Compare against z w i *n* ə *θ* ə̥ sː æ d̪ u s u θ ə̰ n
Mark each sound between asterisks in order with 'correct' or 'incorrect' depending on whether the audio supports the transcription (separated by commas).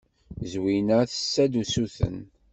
correct, correct